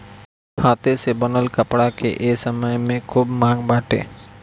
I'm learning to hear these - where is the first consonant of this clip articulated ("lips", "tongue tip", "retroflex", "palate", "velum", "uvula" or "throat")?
throat